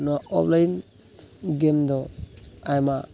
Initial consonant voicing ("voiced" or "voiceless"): voiced